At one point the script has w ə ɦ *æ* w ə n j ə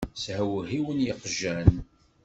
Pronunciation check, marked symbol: incorrect: i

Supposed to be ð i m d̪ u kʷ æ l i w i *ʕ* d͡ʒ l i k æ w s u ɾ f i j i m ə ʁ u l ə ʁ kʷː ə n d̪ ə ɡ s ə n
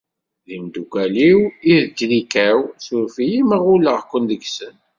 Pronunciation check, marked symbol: incorrect: ð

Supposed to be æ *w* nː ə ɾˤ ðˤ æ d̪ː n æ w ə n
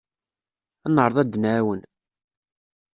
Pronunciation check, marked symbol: incorrect: none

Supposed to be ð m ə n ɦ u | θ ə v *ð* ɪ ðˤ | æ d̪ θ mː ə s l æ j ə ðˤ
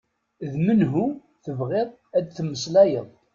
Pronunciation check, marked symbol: incorrect: ʁ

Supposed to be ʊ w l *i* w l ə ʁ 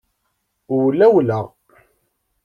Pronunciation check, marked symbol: incorrect: æ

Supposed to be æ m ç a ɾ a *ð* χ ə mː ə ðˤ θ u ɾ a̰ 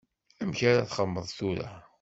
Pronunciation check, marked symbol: incorrect: θ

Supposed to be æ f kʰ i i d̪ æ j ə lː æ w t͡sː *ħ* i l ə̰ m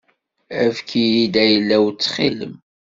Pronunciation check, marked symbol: incorrect: χ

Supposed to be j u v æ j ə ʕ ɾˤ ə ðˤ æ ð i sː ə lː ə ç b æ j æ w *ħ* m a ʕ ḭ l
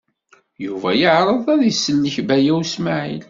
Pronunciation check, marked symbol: incorrect: s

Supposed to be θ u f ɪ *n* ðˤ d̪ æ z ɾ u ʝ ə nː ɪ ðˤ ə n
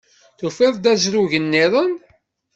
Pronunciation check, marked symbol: incorrect: none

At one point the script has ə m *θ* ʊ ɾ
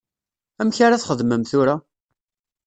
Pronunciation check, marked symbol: correct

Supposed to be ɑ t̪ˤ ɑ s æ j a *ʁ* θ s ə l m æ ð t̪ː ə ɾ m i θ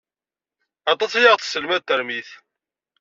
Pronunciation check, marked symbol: correct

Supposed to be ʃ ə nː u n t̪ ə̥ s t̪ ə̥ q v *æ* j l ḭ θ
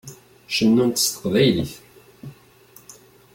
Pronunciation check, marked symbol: correct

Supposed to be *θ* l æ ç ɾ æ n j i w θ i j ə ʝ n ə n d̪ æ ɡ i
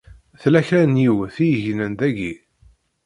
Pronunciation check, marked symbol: correct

